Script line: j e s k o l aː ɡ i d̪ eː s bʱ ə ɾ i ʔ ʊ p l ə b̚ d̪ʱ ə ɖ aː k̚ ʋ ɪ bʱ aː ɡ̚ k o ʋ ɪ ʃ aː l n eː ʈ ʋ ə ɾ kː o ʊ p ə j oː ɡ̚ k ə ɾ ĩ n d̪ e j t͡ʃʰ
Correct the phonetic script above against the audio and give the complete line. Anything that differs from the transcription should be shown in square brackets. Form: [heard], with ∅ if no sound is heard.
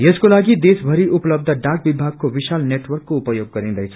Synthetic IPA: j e s k o l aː ɡ i d̪ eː s bʱ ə ɾ i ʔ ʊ p l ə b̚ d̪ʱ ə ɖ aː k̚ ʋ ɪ bʱ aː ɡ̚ k o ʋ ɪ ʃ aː l n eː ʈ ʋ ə ɾ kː o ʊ p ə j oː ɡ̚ k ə ɾ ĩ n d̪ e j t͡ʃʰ